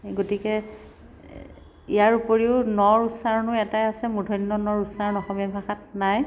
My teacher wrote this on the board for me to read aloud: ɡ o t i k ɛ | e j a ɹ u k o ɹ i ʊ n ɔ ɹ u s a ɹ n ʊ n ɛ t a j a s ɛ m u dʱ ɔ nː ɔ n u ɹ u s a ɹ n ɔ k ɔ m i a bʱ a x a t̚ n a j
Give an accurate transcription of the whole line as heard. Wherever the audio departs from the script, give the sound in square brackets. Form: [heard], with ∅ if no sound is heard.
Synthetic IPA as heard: ɡ o t i k ɛ | [i] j a ɹ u [p] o ɹ i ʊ n ɔ ɹ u s a ɹ n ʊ [∅] ɛ t a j a s ɛ m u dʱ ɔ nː ɔ n [ɔ] ɹ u s a ɹ n ɔ [x] ɔ m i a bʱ a x a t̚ n a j

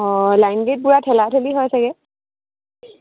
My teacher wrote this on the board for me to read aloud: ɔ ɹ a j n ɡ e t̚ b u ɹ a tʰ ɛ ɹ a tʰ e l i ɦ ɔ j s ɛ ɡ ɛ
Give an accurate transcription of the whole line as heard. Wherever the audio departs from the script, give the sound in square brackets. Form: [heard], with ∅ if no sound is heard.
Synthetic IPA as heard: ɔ [l] a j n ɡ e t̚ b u ɹ a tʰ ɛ [l] a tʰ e l i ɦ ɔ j s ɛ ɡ ɛ

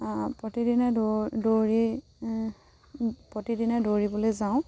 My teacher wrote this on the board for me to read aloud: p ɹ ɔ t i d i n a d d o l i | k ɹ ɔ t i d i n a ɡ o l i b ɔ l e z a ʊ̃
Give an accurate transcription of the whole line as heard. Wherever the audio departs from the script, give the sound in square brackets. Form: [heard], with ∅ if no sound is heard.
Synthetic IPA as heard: p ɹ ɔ t i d i n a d d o [ɹ] i | [p] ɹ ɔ t i d i n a [d] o [ɹ] i b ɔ l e z a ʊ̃

